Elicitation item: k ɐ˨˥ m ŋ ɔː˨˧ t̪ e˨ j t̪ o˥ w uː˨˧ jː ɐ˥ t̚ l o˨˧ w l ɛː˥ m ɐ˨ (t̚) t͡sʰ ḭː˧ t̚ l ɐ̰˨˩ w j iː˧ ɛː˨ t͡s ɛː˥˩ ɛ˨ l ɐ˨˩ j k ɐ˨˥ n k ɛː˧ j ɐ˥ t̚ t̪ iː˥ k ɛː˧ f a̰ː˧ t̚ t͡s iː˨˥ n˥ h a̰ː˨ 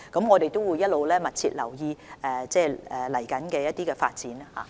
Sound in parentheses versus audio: correct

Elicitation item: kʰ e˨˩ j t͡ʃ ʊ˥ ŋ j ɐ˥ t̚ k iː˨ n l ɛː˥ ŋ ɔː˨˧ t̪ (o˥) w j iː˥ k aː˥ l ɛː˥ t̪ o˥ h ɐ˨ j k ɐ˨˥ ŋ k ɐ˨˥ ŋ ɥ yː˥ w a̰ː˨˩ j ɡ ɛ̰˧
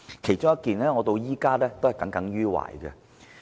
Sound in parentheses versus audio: incorrect: o˧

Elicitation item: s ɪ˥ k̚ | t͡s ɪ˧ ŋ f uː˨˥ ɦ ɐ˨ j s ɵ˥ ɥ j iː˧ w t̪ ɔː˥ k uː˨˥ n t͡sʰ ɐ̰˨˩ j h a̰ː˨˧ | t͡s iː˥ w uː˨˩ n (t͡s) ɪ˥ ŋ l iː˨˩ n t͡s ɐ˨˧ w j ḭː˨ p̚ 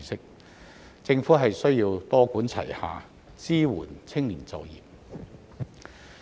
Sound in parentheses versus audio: incorrect: t͡sʰ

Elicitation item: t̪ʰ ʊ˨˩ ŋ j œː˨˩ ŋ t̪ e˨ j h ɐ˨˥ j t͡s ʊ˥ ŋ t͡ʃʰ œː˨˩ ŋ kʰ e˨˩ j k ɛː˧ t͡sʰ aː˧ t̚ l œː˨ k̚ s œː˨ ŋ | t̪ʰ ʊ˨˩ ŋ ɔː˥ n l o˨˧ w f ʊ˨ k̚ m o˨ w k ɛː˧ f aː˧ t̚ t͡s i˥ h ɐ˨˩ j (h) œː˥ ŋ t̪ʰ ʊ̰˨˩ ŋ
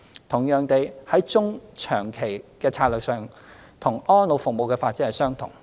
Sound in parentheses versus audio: incorrect: s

